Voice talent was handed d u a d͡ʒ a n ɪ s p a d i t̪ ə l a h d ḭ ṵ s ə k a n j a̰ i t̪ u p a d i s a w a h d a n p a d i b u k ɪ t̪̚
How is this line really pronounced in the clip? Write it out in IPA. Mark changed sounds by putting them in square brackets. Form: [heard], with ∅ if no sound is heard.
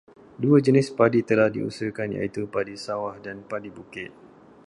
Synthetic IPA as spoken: d u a d͡ʒ [ə] n ɪ s p a d i t̪ ə l a h d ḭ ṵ s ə k a n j a̰ i t̪ u p a d i s a w a h d a n p a d i b u k ɪ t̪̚